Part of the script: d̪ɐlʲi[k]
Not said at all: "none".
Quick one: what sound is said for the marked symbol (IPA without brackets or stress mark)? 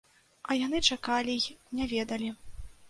none